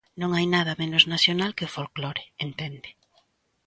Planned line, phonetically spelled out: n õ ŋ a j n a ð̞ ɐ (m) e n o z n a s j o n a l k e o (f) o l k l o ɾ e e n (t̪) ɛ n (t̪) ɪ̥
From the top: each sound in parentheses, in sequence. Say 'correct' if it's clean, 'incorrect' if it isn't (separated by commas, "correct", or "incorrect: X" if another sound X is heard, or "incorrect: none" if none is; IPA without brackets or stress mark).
correct, correct, correct, incorrect: d̪